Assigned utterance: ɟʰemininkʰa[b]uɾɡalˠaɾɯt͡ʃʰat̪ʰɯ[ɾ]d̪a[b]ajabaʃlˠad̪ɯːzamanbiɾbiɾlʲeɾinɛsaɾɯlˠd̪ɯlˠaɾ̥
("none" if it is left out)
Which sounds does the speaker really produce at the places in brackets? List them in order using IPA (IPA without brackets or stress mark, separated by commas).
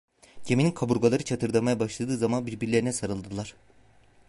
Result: b, ɾ, m